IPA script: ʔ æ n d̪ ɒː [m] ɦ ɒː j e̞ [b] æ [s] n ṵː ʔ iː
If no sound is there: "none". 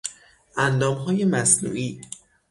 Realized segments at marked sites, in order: m, m, s

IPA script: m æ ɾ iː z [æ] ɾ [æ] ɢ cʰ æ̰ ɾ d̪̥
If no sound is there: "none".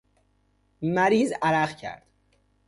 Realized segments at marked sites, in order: æ, æ

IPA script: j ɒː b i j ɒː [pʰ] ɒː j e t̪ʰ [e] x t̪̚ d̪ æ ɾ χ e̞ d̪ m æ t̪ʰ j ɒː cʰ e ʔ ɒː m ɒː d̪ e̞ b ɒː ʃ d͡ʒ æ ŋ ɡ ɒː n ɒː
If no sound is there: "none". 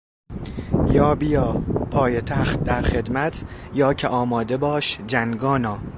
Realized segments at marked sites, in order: pʰ, æ

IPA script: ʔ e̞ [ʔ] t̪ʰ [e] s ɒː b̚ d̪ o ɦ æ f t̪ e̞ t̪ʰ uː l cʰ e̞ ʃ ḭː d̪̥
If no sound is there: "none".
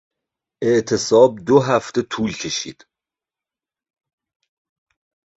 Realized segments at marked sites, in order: ʔ, e

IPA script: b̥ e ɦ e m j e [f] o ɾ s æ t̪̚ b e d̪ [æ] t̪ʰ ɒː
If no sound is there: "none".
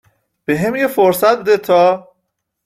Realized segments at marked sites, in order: f, e

